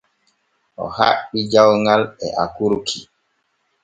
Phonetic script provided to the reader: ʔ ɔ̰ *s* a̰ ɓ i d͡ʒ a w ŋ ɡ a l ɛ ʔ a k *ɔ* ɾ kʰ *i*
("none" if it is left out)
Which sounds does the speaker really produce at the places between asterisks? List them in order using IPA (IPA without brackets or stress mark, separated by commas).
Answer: h, u, i